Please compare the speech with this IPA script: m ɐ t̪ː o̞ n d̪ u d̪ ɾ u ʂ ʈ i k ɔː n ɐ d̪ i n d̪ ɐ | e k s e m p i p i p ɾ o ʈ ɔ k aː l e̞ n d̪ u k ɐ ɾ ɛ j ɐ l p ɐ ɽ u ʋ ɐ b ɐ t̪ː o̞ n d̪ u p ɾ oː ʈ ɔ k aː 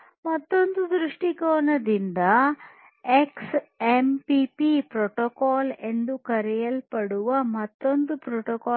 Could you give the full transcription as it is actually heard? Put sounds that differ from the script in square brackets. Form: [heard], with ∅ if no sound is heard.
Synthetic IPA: m ɐ t̪ː o̞ n d̪ u d̪ ɾ u ʂ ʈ i k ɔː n ɐ d̪ i n d̪ ɐ | e k s e m p i p i p ɾ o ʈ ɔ k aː l e̞ n d̪ u k ɐ ɾ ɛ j ɐ l p ɐ ɽ u ʋ ɐ [m] ɐ t̪ː o̞ n d̪ u p ɾ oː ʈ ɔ k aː